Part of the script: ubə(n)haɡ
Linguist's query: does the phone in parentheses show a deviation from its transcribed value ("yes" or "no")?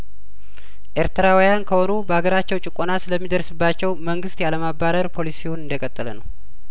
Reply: yes